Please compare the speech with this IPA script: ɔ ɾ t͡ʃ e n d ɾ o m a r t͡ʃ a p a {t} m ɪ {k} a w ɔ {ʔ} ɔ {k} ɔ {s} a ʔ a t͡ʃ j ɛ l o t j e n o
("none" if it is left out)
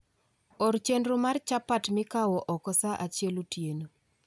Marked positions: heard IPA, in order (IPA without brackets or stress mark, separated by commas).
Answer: t, k, ʔ, k, s